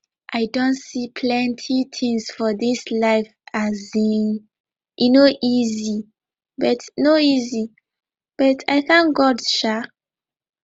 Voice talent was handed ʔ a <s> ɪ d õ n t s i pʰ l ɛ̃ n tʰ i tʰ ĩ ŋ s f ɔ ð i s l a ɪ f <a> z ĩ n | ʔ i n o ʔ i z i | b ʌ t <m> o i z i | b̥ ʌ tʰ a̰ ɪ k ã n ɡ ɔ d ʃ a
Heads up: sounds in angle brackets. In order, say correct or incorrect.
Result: incorrect: none, correct, incorrect: n

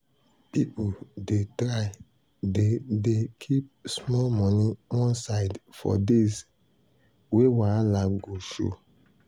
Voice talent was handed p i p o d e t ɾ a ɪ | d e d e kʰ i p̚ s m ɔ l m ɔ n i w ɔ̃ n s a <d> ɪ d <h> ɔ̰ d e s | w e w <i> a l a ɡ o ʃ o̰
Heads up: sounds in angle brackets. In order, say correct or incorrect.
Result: incorrect: none, incorrect: f, incorrect: a

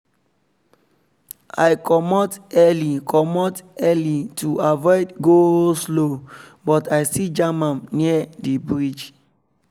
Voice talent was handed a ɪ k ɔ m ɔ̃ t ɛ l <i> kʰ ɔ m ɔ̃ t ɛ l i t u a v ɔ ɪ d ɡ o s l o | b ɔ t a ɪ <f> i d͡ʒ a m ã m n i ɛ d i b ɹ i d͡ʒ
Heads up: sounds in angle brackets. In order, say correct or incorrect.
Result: correct, incorrect: s

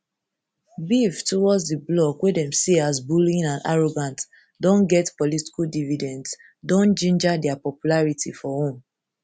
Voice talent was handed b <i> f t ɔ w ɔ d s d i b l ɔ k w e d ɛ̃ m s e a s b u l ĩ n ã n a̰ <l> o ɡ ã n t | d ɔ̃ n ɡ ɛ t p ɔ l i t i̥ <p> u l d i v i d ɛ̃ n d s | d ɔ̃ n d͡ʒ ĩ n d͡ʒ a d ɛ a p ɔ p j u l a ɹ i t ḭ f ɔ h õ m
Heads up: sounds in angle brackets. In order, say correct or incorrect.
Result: correct, incorrect: ɹ, incorrect: k

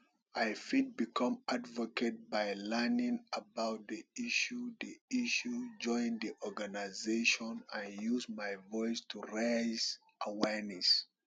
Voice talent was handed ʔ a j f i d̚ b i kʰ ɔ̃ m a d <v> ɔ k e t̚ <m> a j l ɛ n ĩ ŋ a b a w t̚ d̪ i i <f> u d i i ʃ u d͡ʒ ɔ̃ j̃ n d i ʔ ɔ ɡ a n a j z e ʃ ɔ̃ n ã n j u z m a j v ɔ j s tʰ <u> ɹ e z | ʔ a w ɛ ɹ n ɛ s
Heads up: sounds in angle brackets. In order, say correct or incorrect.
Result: correct, incorrect: b, incorrect: ʃ, correct

